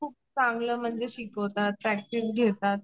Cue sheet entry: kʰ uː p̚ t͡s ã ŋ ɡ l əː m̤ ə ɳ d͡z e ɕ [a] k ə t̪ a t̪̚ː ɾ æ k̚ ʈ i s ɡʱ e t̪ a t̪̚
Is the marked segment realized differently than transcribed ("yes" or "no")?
yes